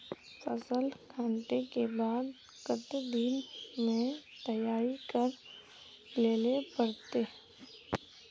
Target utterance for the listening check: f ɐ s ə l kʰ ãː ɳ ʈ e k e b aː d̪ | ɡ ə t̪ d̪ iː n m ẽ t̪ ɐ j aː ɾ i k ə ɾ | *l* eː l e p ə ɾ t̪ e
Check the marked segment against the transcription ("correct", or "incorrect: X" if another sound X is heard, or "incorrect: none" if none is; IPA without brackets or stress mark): correct